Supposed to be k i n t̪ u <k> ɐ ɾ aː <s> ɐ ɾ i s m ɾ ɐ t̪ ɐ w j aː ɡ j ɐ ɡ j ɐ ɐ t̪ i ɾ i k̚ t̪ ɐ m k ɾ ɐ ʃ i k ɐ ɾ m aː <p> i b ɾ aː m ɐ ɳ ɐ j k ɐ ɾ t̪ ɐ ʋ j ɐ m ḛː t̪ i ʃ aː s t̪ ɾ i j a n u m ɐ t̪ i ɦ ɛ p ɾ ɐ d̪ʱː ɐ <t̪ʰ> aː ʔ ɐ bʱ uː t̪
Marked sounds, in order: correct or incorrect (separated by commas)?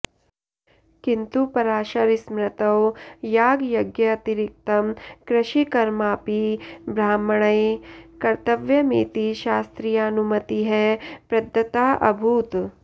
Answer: incorrect, incorrect, correct, incorrect